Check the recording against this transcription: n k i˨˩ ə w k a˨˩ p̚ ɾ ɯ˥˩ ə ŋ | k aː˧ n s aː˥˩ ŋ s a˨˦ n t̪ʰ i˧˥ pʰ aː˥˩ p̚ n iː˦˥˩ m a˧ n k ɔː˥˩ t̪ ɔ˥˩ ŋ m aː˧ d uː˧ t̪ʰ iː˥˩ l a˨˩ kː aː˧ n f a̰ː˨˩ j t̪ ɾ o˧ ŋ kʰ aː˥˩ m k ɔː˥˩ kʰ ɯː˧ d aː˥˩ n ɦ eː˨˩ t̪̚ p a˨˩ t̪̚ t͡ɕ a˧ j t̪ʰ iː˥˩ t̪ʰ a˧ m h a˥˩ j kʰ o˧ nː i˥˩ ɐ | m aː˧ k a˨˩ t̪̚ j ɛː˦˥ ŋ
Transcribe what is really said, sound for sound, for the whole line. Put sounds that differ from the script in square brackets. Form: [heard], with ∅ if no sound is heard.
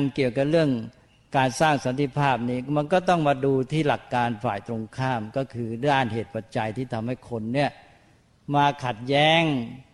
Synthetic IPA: n k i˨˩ ə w k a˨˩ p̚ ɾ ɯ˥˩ ə ŋ | k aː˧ n s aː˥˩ ŋ s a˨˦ n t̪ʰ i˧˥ pʰ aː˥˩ p̚ n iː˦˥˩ m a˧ n k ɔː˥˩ t̪ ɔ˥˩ ŋ m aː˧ d uː˧ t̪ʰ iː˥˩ l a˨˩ kː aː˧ n f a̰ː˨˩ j t̪ ɾ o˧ ŋ kʰ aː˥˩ m k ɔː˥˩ kʰ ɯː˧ d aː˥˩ n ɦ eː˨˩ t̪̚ p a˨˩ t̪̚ t͡ɕ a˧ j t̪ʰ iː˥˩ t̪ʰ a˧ m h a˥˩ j kʰ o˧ nː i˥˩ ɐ | m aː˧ [kʰ] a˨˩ t̪̚ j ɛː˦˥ ŋ